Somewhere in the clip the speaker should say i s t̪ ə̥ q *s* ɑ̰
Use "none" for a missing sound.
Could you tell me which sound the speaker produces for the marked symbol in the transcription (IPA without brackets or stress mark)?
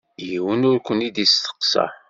s